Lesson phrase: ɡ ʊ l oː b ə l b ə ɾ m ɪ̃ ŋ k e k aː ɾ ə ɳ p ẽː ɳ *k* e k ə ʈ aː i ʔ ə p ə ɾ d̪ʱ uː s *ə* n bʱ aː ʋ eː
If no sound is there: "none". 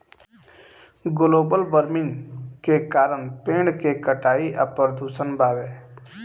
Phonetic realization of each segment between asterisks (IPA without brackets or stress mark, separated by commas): k, ə